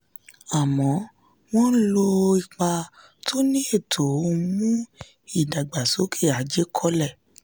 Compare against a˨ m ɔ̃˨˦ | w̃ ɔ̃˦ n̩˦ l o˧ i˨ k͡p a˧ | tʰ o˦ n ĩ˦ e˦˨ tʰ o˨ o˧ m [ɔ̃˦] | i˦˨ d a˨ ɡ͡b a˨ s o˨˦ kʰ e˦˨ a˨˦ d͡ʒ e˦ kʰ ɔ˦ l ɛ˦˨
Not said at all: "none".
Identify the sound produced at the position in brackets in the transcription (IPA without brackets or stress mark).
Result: ũ˦